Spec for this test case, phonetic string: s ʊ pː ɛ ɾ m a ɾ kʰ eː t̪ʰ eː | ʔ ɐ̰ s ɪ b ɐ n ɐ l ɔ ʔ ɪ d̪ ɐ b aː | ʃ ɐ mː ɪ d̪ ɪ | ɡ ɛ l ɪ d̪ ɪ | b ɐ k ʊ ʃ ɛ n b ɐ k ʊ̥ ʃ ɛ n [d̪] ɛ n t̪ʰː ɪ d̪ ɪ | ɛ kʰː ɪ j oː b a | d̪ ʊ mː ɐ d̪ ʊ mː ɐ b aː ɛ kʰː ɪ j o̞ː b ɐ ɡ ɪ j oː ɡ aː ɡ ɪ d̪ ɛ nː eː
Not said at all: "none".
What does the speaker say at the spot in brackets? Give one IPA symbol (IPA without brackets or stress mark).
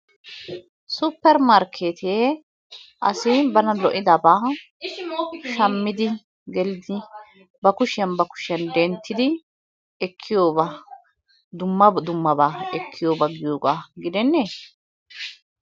d̪